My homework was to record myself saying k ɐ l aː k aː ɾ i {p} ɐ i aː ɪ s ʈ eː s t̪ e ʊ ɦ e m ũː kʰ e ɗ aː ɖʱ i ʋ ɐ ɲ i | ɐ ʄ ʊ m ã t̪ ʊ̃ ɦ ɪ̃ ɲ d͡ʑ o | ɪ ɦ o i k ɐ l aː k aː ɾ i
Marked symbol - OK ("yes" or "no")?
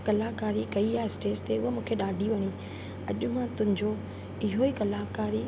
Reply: no